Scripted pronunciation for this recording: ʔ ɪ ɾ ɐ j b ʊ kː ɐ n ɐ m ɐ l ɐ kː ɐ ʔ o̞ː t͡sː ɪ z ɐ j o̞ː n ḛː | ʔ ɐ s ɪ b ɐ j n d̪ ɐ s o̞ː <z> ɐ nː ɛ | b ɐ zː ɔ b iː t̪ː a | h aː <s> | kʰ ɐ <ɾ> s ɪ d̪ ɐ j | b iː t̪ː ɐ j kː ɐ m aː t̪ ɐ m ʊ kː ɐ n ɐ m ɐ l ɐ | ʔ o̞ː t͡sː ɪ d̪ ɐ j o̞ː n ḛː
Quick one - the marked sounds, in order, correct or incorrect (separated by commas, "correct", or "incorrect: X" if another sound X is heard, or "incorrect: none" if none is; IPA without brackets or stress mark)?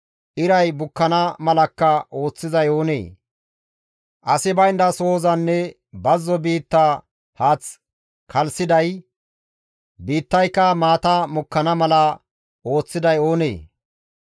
correct, incorrect: t͡s, incorrect: l